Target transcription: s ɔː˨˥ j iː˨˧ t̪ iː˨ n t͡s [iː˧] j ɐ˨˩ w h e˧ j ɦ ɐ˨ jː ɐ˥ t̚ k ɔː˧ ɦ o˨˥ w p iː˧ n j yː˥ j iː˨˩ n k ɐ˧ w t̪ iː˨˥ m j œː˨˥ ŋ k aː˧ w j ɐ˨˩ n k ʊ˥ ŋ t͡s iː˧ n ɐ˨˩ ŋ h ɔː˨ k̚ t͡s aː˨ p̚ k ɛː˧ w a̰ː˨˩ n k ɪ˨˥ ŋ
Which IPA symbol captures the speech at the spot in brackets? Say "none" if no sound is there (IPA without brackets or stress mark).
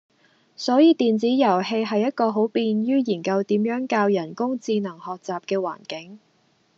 iː˨˥